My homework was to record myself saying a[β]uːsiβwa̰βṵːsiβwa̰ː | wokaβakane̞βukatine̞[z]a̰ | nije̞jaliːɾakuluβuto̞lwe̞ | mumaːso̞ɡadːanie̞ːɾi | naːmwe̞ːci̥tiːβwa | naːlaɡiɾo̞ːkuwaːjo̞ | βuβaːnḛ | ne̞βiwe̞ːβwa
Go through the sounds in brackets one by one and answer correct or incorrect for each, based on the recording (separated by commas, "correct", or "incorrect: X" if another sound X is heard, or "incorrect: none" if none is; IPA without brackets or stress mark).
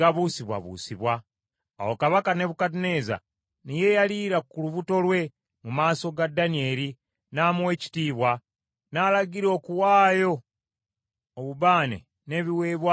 correct, correct